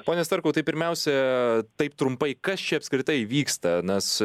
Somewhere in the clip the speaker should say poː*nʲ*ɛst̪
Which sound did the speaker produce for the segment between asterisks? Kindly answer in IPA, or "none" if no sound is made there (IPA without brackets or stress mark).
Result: nʲ